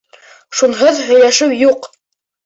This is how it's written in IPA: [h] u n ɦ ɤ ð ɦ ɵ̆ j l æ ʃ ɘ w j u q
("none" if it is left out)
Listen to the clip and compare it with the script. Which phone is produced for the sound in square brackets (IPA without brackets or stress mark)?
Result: ʃ